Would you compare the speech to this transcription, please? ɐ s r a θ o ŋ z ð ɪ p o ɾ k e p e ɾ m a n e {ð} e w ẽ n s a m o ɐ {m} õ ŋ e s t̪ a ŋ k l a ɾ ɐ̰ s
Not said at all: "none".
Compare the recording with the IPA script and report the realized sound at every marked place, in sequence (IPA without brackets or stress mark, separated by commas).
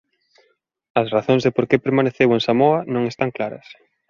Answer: θ, n